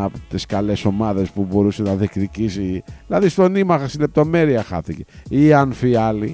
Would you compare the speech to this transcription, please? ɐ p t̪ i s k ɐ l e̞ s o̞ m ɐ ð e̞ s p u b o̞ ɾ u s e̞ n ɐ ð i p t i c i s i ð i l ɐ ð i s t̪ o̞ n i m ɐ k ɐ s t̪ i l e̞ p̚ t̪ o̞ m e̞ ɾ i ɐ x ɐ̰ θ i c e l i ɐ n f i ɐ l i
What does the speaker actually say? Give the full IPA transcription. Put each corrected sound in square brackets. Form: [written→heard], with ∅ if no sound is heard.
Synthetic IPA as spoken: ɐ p t̪ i s k ɐ l e̞ s o̞ m ɐ ð e̞ s p u b o̞ ɾ u s e̞ n ɐ ð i [p→k] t i c i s i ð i l ɐ ð i s t̪ o̞ n i m ɐ [k→x] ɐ s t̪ i l e̞ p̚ t̪ o̞ m e̞ ɾ i ɐ x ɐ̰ θ i c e [l→∅] i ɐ n f i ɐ l i